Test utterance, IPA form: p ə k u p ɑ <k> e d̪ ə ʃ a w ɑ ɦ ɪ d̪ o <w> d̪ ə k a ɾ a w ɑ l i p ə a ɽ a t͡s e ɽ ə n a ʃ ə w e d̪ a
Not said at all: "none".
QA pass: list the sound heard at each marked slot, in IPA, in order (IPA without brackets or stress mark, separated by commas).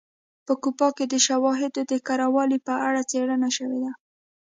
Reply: k, none